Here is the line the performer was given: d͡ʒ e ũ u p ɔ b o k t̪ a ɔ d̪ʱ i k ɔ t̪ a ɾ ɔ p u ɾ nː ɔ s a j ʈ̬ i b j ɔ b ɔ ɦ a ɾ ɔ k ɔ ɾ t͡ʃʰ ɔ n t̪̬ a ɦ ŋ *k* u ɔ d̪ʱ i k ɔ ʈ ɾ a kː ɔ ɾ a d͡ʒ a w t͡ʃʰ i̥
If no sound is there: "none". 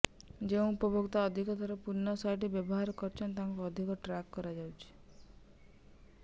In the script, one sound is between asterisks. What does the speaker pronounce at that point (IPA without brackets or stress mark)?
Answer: k